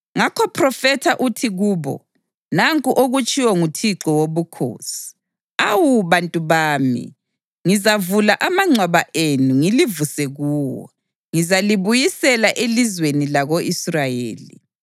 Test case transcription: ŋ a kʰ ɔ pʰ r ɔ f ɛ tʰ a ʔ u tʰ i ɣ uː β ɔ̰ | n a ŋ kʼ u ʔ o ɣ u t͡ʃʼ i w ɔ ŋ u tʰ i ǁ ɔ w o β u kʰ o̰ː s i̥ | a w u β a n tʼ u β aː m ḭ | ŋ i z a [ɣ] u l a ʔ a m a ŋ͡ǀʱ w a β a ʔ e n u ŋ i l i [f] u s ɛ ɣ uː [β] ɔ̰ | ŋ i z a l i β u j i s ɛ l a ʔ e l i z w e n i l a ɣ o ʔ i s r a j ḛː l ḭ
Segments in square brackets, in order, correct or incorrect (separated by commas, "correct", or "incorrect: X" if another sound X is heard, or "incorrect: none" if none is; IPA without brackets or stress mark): incorrect: v, incorrect: v, incorrect: w